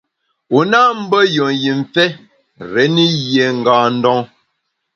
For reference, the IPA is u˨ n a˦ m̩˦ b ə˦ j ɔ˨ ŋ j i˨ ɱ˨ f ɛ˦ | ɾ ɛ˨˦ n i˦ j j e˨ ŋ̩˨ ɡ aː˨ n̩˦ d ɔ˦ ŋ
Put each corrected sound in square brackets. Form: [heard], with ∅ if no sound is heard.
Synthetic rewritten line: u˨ n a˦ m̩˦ b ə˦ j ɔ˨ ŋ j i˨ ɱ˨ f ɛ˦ | ɾ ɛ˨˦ n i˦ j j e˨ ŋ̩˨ ɡ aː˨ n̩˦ d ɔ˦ ŋ